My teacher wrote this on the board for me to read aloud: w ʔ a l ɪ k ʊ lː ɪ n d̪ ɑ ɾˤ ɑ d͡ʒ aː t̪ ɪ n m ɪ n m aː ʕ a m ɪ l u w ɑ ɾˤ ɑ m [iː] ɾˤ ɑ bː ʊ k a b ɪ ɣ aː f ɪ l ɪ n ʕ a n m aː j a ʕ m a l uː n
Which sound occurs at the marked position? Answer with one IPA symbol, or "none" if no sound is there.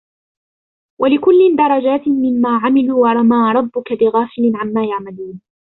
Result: aː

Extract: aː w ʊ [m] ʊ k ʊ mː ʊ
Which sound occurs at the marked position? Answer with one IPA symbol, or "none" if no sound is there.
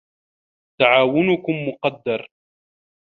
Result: n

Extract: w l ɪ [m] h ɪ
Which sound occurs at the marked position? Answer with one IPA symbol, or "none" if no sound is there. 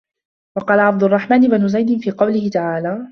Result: none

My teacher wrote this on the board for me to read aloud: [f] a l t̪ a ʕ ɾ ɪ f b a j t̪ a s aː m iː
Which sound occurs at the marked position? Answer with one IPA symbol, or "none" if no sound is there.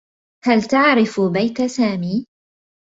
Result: h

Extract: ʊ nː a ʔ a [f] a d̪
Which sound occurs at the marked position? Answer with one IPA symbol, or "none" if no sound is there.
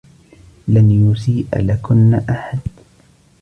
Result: ħ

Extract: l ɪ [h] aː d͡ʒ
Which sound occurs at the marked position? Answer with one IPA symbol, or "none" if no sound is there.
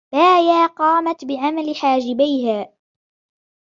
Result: ħ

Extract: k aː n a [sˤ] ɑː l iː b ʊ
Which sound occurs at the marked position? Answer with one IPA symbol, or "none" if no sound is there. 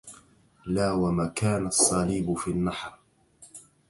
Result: sˤː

